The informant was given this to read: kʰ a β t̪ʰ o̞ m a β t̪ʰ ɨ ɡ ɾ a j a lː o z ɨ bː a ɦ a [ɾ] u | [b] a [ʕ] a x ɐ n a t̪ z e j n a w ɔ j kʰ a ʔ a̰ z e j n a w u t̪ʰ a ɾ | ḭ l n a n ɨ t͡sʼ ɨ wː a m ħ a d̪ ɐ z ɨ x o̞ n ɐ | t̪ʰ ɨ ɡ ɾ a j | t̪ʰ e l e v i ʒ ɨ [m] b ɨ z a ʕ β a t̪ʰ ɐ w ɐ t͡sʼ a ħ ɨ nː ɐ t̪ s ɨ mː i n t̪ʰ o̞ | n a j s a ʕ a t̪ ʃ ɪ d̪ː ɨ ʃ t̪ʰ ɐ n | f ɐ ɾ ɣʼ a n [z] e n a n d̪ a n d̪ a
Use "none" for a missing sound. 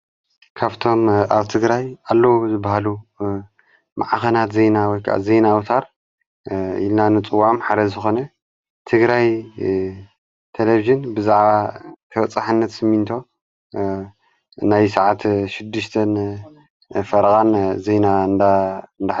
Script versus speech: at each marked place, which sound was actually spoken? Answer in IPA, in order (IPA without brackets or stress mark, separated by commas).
l, m, ʕ, n, z